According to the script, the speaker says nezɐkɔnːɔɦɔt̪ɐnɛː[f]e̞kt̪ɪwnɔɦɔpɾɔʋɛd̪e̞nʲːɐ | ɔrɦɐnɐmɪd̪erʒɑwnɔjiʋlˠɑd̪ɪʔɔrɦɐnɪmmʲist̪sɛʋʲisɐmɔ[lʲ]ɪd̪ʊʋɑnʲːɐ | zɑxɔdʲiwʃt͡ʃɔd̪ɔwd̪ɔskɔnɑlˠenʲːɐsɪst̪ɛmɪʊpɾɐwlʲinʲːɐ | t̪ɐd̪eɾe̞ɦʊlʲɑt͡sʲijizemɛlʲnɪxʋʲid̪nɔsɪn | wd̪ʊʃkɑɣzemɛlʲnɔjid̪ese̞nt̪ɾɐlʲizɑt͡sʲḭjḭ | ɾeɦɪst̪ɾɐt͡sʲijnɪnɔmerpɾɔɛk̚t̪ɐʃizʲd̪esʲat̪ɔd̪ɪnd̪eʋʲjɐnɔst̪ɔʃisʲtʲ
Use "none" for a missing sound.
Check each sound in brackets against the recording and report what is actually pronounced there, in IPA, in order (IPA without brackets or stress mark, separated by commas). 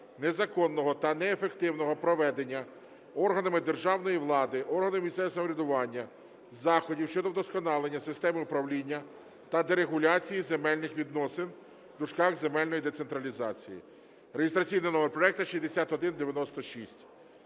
f, ɾʲ